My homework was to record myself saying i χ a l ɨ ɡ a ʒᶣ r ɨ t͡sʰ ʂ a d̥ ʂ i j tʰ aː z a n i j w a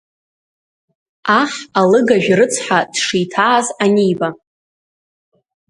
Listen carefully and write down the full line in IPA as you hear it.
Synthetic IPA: a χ a l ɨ ɡ a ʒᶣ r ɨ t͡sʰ ħ a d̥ ʂ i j tʰ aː z a n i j b a